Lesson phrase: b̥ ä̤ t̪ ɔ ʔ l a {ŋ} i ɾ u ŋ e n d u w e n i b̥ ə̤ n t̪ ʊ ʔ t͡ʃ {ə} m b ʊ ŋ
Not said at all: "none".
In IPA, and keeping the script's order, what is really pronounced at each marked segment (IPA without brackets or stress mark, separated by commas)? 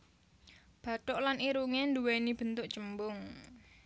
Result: n, ə